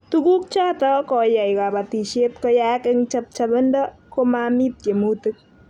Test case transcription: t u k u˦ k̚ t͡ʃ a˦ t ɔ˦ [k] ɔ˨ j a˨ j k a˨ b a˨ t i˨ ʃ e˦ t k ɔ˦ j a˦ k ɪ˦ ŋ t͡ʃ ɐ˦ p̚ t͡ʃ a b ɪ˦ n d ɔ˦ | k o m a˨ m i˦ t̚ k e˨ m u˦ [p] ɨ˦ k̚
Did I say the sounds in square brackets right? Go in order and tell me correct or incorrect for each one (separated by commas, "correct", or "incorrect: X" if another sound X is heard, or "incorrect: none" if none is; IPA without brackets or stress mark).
correct, incorrect: t